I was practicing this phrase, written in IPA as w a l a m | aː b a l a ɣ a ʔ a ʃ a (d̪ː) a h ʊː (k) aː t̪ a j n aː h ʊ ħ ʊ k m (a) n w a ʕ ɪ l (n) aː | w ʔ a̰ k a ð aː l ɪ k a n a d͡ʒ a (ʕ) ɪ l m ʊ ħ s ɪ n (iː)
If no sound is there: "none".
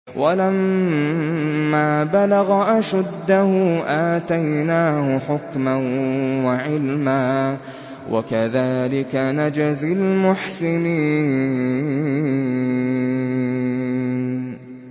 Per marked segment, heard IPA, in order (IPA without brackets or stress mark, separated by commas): d̪ː, ʔ, a, m, z, iː